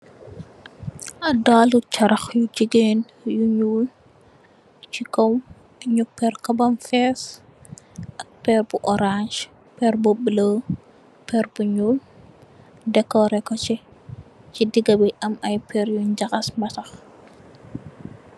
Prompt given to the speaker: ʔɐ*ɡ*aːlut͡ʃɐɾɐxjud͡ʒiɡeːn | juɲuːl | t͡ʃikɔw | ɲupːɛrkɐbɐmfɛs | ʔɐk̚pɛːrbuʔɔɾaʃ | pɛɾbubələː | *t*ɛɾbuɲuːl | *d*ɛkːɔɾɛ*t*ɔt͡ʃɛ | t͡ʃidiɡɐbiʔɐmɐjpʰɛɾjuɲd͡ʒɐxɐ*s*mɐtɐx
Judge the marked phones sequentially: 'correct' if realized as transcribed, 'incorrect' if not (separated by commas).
incorrect, incorrect, correct, incorrect, correct